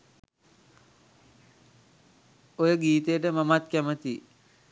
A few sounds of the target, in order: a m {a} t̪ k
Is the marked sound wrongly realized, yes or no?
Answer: no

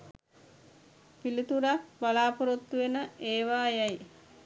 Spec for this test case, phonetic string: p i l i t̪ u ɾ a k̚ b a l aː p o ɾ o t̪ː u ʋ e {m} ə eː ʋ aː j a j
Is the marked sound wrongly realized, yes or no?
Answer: yes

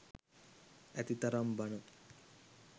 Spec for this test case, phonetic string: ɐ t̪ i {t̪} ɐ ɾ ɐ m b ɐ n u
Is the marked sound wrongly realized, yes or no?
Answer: no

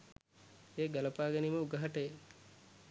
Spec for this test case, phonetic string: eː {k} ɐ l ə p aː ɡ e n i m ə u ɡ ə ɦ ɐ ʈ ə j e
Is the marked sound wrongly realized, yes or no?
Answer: yes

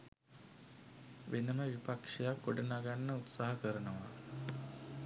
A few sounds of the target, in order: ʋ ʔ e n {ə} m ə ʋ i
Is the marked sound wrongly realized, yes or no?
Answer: no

